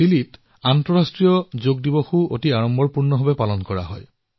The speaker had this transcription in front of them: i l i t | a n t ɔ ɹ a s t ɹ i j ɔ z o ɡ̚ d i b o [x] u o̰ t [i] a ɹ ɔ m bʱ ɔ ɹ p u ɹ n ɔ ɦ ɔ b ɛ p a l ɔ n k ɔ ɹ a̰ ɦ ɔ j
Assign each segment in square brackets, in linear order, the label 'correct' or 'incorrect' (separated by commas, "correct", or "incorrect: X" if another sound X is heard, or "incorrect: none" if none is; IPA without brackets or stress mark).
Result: correct, correct